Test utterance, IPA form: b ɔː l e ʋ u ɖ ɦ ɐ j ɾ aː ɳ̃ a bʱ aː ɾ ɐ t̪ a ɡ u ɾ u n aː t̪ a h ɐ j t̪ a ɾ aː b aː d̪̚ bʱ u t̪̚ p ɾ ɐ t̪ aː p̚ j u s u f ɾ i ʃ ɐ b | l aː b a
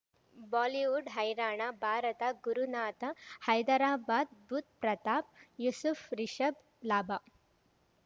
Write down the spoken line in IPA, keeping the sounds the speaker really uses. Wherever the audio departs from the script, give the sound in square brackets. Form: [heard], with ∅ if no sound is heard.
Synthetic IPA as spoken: b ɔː l [i] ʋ u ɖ ɦ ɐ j ɾ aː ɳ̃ a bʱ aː ɾ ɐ t̪ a ɡ u ɾ u n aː t̪ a h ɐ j [d̪] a ɾ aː b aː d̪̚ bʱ u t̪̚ p ɾ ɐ t̪ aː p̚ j u s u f ɾ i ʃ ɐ b | l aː b a